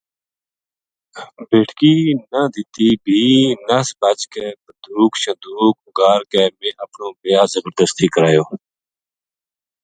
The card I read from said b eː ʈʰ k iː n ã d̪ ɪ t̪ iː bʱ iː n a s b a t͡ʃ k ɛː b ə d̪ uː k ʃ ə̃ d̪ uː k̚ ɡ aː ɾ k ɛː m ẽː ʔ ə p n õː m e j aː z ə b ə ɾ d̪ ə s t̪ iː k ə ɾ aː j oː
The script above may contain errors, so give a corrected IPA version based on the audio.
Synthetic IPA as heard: b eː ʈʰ k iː n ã d̪ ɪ t̪ iː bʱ iː n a s b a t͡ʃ k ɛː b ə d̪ uː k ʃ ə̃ d̪ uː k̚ ɡ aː ɾ k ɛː m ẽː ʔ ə p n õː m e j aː z ə b ə ɾ d̪ ə s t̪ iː k ə ɾ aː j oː

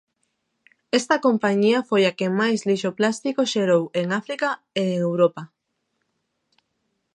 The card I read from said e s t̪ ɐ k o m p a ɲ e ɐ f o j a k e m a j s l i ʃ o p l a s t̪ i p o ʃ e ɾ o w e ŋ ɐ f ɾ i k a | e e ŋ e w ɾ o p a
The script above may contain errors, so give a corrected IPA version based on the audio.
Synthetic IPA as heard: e s t̪ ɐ k o m p a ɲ i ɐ f o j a k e m a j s l i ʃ o p l a s t̪ i k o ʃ e ɾ o w e ŋ a f ɾ i k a | e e ŋ e w ɾ o p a

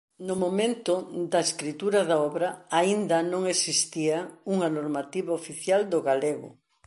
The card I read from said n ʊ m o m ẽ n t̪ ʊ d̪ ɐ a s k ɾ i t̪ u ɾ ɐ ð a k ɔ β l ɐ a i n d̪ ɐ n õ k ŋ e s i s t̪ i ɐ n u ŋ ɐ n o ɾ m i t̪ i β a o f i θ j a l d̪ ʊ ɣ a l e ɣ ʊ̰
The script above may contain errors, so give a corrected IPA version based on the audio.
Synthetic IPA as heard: n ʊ m o m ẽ n t̪ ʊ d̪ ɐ e s k ɾ i t̪ u ɾ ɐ ð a ɔ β ɾ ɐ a i n d̪ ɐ n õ ŋ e s i s t̪ i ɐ u ŋ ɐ n o ɾ m a t̪ i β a o f i θ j a l d̪ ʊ ɣ a l e ɣ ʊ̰

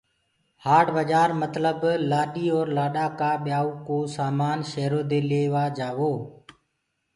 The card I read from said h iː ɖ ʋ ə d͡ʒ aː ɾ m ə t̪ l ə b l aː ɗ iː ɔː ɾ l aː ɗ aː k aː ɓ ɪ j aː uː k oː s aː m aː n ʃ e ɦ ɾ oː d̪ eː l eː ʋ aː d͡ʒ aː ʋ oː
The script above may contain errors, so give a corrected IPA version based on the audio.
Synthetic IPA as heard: h aː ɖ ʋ ə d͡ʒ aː ɾ m ə t̪ l ə b l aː ɗ iː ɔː ɾ l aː ɗ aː k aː ɓ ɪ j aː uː k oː s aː m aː n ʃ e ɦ ɾ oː d̪ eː l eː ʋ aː d͡ʒ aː ʋ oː

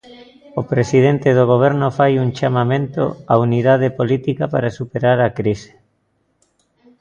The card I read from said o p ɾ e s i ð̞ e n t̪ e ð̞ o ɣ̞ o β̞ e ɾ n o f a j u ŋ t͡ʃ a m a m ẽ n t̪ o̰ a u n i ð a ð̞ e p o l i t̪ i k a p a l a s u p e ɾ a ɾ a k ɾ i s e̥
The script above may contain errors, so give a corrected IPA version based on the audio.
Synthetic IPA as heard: o p ɾ e s i ð̞ e n t̪ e ð̞ o ɣ̞ o β̞ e ɾ n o f a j u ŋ t͡ʃ a m a m ẽ n t̪ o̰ a u n i ð a ð̞ e p o l i t̪ i k a p a ɾ a s u p e ɾ a ɾ a k ɾ i s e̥

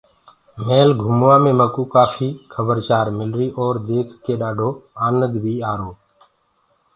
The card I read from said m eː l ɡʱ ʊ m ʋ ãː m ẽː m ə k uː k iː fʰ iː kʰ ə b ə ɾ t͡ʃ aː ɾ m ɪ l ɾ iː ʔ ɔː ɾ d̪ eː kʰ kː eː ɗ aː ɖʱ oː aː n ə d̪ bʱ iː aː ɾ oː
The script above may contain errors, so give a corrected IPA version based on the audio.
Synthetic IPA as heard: m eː l ɡʱ ʊ m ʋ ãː m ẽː m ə k uː k aː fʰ iː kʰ ə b ə ɾ t͡ʃ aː ɾ m ɪ l ɾ iː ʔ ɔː ɾ d̪ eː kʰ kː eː ɗ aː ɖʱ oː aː n ə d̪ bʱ iː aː ɾ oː

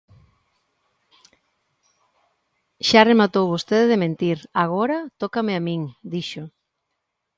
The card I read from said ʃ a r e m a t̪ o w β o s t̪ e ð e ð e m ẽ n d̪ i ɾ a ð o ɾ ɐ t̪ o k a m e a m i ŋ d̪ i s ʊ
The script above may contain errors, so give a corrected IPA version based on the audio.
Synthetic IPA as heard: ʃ a r e m a t̪ o w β o s t̪ e ð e ð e m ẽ n t̪ i ɾ a ɣ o ɾ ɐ t̪ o k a m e a m i ŋ d̪ i ʃ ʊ

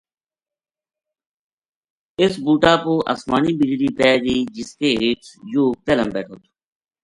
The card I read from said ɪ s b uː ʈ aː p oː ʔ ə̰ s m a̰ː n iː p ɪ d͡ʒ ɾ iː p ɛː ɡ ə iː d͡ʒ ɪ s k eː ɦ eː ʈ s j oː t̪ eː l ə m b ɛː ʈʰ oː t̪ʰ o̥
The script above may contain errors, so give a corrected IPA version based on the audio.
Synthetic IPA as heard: ɪ s b uː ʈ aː p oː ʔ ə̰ s m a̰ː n iː b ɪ d͡ʒ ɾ iː p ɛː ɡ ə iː d͡ʒ ɪ s k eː ɦ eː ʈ s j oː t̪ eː l ə m b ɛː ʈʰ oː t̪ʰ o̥

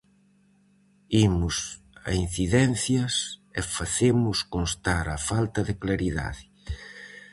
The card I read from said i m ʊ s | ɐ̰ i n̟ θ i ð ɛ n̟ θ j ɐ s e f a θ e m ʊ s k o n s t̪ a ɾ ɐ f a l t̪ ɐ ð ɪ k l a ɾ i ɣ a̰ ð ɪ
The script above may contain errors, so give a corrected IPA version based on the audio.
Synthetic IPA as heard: i m ʊ s | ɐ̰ i n̟ θ i ð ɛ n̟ θ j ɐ s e f a θ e m ʊ s k o n s t̪ a ɾ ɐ f a l t̪ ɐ ð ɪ k l a ɾ i ð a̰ ð ɪ

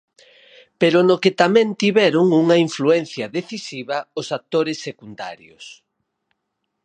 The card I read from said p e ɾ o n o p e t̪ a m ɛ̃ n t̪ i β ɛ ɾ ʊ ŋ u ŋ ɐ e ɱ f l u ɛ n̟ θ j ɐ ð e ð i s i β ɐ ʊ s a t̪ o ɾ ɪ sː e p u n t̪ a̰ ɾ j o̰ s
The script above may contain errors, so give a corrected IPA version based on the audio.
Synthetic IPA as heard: p e ɾ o n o k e t̪ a m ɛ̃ n t̪ i β ɛ ɾ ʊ ŋ u ŋ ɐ i ɱ f l u ɛ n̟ θ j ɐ ð e θ i s i β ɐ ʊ s a t̪ o ɾ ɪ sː e k u n d̪ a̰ ɾ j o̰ s

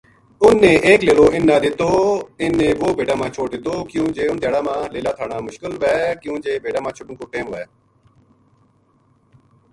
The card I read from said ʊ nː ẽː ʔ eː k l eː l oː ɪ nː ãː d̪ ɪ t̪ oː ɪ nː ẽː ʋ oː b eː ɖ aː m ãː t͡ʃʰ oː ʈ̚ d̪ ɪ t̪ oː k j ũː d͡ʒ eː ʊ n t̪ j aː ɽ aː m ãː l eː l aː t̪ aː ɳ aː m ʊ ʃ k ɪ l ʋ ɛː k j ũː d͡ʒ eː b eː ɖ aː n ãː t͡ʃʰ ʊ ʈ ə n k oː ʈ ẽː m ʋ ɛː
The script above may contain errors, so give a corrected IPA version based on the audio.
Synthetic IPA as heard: ʊ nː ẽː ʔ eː k l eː l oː ɪ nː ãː d̪ ɪ t̪ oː ɪ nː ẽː ʋ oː b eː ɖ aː m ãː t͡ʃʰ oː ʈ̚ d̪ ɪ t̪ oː k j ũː d͡ʒ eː ʊ n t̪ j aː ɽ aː m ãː l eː l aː t̪ʰ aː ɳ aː m ʊ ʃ k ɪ l ʋ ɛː k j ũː d͡ʒ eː b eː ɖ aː m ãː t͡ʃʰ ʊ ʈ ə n k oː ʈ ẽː m ʋ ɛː

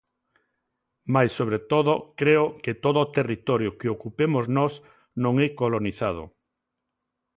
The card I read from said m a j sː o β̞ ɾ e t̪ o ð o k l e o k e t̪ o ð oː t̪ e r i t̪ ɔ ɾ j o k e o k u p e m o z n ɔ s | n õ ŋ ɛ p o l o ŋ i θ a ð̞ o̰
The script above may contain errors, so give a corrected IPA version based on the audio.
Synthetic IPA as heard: m a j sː o β̞ ɾ e t̪ o ð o k ɾ e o k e t̪ o ð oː t̪ e r i t̪ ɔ ɾ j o k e o k u p e m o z n ɔ s | n õ ŋ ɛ k o l o n i θ a ð̞ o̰

